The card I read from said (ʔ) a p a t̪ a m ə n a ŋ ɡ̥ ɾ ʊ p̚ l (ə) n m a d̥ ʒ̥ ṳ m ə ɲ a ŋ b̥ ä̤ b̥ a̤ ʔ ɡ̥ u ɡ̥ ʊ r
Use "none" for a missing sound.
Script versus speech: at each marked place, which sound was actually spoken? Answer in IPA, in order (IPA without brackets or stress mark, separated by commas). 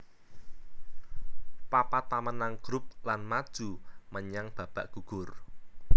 p, a